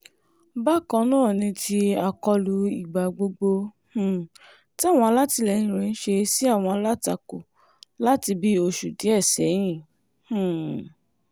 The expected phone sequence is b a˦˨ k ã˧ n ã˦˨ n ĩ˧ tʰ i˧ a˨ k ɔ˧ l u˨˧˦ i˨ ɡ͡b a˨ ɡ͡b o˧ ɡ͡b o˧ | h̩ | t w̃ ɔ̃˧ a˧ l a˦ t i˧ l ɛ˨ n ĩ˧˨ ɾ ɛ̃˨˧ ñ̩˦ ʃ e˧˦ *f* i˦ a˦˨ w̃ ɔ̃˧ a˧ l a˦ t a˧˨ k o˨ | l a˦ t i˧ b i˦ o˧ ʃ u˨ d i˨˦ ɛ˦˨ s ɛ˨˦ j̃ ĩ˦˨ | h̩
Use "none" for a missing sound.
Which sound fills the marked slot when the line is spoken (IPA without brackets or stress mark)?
s